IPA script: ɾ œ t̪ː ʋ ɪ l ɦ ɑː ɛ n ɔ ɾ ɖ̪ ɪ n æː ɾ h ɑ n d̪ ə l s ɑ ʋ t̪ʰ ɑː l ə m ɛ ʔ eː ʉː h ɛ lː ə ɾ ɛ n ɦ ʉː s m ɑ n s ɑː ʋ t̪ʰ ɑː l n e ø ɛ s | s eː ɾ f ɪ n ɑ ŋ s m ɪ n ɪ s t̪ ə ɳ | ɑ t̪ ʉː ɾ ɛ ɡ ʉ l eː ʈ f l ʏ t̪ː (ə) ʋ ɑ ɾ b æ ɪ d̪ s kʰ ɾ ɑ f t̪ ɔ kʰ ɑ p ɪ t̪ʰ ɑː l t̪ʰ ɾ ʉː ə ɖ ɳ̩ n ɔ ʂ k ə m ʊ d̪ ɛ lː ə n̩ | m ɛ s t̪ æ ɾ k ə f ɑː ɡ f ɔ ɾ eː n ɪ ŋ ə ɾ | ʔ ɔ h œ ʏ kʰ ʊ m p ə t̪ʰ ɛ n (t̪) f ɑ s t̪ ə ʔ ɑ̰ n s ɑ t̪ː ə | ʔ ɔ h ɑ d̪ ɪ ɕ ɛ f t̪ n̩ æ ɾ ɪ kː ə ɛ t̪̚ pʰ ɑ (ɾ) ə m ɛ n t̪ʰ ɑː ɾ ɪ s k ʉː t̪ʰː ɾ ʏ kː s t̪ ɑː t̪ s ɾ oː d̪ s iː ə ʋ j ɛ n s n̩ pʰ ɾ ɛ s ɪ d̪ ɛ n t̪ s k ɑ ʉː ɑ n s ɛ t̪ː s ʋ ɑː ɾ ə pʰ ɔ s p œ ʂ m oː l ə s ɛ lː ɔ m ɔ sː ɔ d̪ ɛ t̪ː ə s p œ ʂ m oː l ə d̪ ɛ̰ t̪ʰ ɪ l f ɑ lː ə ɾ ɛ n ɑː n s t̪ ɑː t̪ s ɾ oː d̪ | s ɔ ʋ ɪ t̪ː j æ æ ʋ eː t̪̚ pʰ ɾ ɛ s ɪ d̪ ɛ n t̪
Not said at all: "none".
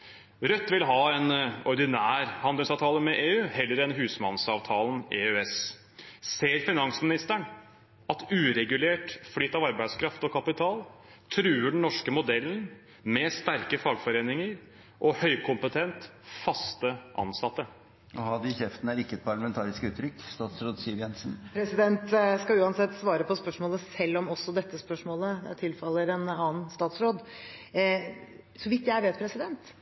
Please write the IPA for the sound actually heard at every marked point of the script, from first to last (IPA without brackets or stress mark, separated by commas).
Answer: ɑ, t̪, ɭ